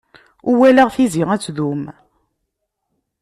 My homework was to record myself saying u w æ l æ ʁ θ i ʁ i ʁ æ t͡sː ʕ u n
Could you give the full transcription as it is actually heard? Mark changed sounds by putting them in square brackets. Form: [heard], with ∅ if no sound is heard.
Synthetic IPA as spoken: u w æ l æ ʁ θ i [z] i ʁ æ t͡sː [ð] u [m]